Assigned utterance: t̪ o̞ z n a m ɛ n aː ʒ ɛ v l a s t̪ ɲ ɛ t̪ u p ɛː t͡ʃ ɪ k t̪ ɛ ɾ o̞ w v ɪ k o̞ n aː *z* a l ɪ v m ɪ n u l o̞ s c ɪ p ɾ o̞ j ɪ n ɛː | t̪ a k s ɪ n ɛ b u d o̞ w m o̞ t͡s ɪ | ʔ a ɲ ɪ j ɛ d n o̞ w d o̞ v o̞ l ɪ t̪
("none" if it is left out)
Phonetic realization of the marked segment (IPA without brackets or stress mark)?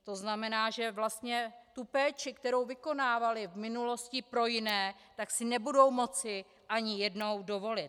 v